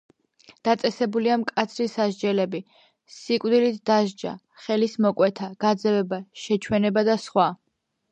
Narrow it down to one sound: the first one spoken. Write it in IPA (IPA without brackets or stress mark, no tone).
d̪̥